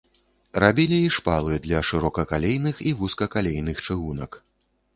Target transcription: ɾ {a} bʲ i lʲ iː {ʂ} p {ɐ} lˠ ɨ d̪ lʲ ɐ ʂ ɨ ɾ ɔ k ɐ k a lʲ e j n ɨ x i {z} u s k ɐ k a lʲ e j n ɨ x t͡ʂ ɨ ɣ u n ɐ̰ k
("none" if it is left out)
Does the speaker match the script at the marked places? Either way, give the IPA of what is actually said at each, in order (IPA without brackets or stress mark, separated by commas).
a, ʂ, a, v